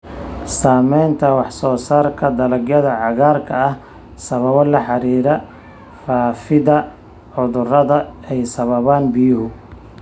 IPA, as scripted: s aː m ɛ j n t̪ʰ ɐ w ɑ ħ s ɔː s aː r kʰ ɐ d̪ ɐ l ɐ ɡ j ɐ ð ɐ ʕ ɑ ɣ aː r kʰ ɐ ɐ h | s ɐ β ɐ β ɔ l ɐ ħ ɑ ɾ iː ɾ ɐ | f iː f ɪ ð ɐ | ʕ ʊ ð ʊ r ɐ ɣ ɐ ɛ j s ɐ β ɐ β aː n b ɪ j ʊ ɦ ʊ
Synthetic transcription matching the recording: s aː m ɛ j n t̪ʰ ɐ w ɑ ħ s ɔː s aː r kʰ ɐ d̪ ɐ l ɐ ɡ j ɐ ð ɐ ʕ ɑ ɣ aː r kʰ ɐ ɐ h | s ɐ β ɐ β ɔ l ɐ ħ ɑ ɾ iː ɾ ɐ | f aː f ɪ ð ɐ | ʕ ʊ ð ʊ r ɐ ð ɐ ɛ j s ɐ β ɐ β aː n b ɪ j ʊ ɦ ʊ